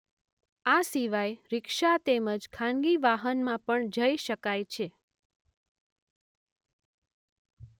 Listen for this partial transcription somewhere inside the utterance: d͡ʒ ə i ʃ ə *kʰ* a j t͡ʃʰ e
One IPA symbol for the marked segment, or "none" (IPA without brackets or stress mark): k